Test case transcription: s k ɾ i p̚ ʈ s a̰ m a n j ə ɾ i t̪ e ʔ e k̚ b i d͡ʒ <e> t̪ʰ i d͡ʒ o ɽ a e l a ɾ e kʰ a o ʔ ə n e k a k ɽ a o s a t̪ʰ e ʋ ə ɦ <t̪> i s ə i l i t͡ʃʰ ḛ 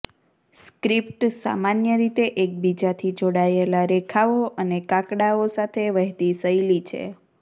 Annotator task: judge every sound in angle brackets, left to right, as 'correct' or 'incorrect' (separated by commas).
incorrect, correct